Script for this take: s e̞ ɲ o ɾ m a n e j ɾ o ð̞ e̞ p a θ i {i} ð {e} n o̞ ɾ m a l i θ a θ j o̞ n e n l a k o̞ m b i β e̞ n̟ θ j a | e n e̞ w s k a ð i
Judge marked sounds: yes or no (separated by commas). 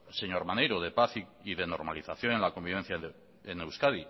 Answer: yes, yes